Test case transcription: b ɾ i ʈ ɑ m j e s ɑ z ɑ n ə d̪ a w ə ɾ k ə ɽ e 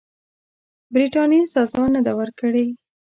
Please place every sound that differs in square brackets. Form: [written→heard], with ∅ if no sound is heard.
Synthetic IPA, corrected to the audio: b ɾ i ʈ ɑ [m→n] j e s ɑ z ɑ n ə d̪ a w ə ɾ k ə ɽ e